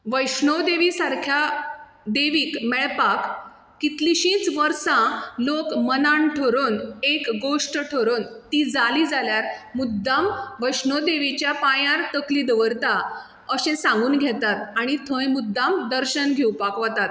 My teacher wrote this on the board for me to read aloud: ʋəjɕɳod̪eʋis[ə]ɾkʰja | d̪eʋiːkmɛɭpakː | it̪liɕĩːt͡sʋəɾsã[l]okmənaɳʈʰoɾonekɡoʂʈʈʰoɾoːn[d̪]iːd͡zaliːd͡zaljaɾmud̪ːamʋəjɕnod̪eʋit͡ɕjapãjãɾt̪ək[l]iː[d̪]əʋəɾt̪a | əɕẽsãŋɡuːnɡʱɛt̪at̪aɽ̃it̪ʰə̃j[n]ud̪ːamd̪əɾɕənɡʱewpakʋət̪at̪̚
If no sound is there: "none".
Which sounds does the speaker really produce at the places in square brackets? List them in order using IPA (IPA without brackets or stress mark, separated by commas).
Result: a, l, t̪, l, d̪, m